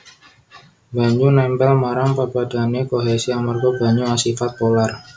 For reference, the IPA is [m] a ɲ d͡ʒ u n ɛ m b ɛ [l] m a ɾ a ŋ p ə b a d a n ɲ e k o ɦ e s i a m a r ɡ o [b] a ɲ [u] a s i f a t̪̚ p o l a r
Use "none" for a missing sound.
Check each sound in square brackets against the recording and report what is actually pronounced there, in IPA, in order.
b, l, b, u

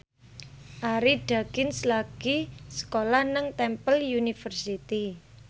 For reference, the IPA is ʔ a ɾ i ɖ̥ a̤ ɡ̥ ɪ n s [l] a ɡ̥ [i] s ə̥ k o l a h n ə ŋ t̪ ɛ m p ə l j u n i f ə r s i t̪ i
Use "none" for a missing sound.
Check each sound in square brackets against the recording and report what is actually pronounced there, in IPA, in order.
l, i

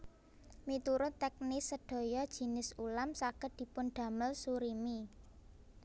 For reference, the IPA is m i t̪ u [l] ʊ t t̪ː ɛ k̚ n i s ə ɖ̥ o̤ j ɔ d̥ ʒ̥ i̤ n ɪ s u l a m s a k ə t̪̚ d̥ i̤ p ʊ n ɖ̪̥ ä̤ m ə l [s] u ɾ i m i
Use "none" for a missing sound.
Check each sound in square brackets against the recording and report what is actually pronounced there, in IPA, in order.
ɾ, s

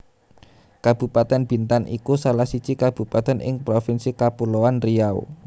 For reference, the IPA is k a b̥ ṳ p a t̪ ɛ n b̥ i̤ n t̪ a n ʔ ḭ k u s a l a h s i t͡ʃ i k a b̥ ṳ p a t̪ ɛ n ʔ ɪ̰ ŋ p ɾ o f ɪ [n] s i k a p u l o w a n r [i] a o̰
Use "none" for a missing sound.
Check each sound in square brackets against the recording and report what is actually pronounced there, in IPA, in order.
n, i

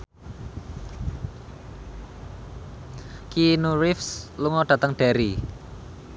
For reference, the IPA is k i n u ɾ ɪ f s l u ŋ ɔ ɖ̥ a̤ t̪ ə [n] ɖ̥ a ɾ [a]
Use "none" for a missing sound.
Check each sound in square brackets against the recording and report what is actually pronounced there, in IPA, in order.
ŋ, i

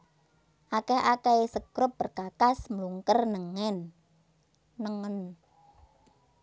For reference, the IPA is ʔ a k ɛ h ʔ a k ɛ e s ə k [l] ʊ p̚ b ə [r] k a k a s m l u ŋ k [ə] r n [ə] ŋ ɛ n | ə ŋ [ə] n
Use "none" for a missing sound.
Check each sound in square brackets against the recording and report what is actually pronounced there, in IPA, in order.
ɾ, r, ə, ə, ə

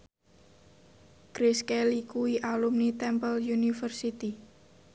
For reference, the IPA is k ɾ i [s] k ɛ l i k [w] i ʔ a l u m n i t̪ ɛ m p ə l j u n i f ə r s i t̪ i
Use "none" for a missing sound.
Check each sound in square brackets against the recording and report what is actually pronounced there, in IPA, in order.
s, u

